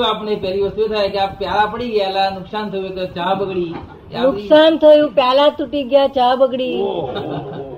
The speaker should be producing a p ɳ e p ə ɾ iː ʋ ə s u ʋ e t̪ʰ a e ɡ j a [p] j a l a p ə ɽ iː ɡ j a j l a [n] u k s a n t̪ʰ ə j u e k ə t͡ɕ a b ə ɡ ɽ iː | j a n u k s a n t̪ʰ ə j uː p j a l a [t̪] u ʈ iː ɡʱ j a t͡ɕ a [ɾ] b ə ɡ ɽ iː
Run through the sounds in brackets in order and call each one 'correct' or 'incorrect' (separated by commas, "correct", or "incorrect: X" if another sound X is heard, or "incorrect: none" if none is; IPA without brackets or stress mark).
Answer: correct, correct, correct, incorrect: none